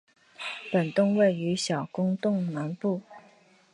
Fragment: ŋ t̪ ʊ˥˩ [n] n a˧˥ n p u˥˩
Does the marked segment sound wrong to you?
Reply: yes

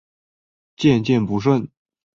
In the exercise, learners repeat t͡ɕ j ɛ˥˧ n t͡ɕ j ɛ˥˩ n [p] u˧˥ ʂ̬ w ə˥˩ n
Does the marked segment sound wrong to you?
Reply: no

